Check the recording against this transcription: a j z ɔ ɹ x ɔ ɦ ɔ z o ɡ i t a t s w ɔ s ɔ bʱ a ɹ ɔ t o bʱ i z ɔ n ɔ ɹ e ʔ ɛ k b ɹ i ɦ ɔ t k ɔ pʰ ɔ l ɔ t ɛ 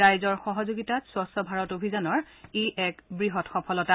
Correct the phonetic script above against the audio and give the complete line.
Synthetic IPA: a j z ɔ ɹ x ɔ ɦ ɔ z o ɡ i t a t s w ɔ s ɔ bʱ a ɹ ɔ t o bʱ i z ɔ n ɔ ɹ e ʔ ɛ k b ɹ i ɦ ɔ t x ɔ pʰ ɔ l ɔ t a